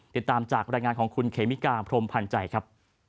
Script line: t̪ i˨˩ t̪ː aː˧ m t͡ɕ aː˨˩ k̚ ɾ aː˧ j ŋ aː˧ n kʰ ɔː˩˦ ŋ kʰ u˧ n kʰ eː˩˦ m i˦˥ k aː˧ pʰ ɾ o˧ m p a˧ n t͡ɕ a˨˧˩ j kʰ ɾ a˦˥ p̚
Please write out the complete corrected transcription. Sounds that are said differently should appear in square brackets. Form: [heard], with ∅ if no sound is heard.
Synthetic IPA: t̪ i˨˩ t̪ː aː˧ m t͡ɕ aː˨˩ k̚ ɾ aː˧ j ŋ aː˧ n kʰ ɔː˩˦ ŋ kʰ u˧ n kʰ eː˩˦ m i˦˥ k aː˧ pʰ ɾ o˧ m [pʰ] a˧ n t͡ɕ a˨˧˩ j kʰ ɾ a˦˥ p̚